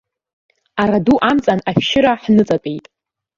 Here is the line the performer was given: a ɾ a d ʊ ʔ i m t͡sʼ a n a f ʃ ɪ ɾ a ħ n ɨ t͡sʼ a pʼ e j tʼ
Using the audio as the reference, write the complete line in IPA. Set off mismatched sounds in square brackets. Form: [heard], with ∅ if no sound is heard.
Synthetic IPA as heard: a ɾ a d [u] ʔ [a] m t͡sʼ a n a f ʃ ɪ ɾ a ħ n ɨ t͡sʼ a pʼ e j tʼ